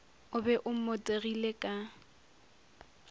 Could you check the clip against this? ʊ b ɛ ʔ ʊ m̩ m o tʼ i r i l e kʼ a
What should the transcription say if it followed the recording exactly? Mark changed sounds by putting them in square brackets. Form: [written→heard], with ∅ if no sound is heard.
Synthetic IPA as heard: ʊ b ɛ ʔ ʊ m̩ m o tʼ [i→e] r i l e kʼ a